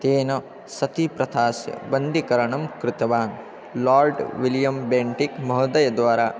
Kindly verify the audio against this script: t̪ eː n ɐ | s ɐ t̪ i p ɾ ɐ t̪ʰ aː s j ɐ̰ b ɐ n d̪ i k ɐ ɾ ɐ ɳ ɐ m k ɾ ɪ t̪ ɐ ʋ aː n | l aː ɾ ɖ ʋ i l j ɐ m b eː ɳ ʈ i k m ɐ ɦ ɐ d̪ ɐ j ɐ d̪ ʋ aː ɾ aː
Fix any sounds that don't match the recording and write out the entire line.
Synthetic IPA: t̪ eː n ɐ | s ɐ t̪ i p ɾ ɐ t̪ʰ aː s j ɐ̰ b ɐ n d̪ i k ɐ ɾ ɐ ɳ ɐ m k ɾ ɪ t̪ ɐ ʋ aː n | l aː ɾ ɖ ʋ i l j ɐ m b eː ɳ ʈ i k m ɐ ɦ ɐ d̪ ɐ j ɐ d̪ ʋ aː ɾ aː